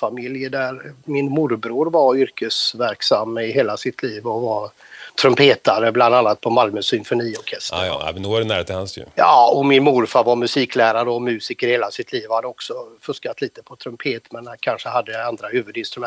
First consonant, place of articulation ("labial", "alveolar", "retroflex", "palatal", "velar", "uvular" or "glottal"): labial